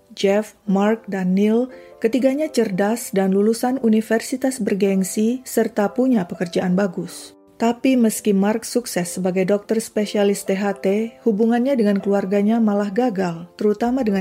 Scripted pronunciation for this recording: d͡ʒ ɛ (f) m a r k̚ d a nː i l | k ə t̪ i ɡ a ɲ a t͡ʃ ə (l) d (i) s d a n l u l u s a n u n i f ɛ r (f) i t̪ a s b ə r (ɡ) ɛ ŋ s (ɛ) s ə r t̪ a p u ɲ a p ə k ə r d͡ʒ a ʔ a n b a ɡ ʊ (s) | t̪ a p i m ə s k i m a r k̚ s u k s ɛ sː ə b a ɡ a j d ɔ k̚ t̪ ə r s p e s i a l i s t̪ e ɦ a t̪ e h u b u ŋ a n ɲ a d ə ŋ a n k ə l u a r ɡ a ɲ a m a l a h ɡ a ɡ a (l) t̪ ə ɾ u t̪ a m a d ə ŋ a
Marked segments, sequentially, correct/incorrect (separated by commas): correct, incorrect, incorrect, incorrect, correct, incorrect, correct, correct